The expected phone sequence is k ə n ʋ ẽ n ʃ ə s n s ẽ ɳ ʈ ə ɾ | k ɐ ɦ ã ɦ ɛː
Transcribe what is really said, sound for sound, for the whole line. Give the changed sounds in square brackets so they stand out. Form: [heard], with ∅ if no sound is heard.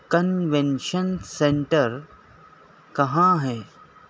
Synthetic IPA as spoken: k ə n ʋ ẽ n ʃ ə [∅] n s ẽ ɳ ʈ ə ɾ | k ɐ ɦ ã ɦ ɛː